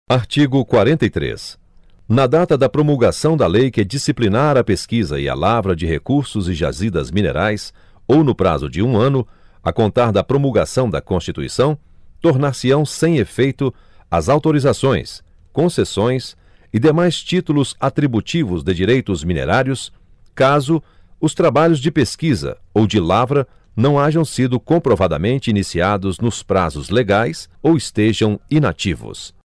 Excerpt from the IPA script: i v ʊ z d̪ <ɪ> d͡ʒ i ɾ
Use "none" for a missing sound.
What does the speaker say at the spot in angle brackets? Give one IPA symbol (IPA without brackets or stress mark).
ɪ